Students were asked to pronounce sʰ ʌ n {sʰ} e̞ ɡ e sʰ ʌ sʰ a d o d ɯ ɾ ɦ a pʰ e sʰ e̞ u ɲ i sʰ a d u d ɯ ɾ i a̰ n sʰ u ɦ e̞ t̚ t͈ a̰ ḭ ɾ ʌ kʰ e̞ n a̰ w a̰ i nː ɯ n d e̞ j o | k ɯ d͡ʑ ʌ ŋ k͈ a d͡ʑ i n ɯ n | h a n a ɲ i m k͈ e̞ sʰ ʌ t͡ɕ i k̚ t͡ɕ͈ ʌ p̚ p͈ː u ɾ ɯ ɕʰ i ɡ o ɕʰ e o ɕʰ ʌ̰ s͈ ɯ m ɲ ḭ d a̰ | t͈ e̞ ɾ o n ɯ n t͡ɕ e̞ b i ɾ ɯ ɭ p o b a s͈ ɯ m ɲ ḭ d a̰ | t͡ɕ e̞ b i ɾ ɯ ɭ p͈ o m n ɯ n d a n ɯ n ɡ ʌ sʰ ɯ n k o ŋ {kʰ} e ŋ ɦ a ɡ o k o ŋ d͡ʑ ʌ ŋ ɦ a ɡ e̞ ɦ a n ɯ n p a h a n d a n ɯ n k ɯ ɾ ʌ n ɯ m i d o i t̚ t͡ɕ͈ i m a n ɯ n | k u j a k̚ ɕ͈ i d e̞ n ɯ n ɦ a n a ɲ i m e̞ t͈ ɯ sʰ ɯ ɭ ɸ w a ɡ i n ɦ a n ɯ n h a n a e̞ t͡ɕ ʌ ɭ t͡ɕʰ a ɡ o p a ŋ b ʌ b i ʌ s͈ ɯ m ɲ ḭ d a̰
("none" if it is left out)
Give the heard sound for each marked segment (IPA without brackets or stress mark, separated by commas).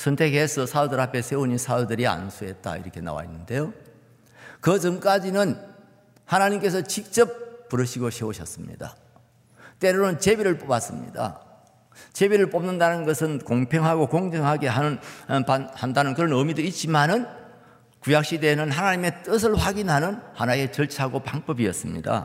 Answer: tʰ, pʰ